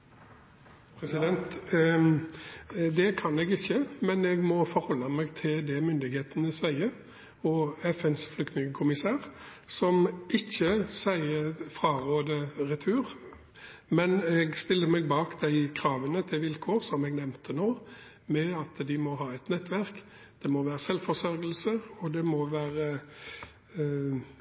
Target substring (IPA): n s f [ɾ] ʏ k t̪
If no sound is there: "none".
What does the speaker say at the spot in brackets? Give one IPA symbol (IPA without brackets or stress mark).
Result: l